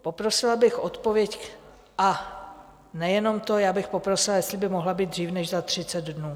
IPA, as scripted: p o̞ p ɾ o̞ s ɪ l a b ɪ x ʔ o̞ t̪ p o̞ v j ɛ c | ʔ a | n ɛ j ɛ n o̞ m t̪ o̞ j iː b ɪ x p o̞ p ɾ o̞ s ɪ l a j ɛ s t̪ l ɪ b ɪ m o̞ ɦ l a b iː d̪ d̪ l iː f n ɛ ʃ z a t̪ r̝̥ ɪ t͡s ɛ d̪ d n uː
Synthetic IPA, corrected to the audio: p o̞ p ɾ o̞ s ɪ l a b ɪ x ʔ o̞ t̪ p o̞ v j ɛ c | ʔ a | n ɛ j ɛ n o̞ m t̪ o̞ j aː b ɪ x p o̞ p ɾ o̞ s ɪ l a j ɛ s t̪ l ɪ b ɪ m o̞ ɦ l a b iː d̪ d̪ r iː f n ɛ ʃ z a t̪ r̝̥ ɪ t͡s ɛ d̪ d n uː